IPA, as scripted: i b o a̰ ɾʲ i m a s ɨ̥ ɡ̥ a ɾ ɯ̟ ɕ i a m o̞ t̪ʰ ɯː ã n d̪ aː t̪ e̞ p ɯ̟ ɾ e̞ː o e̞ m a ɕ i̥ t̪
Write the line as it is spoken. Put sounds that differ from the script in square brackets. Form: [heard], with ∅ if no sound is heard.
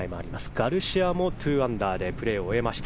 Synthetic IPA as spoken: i [m] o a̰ ɾʲ i m a s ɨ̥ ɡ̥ a ɾ ɯ̟ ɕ i a m o̞ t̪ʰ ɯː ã n d̪ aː [d̪] e̞ p ɯ̟ ɾ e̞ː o e̞ m a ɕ i̥ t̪